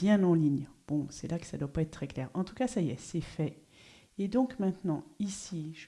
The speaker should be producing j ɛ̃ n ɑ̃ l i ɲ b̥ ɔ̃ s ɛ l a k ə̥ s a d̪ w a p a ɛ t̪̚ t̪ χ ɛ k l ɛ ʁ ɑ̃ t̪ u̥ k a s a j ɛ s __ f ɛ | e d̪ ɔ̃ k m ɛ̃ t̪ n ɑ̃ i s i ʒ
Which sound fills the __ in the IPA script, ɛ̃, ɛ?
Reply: ɛ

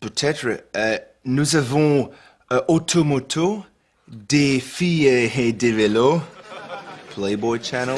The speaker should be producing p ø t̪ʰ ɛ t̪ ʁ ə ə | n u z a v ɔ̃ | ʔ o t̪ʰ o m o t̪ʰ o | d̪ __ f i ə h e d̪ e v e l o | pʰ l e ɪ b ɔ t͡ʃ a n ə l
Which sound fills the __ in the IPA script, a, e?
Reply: e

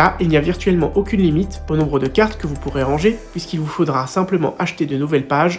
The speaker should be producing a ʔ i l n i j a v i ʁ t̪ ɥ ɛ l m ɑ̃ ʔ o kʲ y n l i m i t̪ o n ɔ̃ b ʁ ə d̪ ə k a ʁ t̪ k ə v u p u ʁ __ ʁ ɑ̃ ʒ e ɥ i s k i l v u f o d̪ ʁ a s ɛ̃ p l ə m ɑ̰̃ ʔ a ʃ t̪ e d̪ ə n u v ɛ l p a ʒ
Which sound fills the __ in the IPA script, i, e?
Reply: e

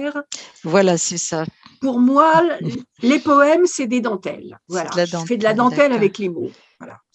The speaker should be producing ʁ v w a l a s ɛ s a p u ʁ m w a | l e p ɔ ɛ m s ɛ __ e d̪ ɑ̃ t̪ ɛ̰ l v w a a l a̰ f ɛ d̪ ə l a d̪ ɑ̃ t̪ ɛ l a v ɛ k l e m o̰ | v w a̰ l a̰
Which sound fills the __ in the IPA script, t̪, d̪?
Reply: d̪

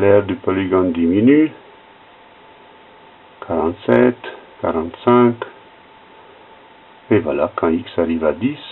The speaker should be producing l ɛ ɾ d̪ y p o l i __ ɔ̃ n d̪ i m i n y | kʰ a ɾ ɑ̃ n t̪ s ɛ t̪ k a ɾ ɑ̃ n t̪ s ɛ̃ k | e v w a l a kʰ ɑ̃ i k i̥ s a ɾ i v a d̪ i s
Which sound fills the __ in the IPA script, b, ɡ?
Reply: ɡ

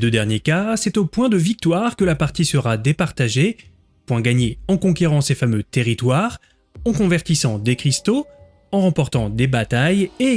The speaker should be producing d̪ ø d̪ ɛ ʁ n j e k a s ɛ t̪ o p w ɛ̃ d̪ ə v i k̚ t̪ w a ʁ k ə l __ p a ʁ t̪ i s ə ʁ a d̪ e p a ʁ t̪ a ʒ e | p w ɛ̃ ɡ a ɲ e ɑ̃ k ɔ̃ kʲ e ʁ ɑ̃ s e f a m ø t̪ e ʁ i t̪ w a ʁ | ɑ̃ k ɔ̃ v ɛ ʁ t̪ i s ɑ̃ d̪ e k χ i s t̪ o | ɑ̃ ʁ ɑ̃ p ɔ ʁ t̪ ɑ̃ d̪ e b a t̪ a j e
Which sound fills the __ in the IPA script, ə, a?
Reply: a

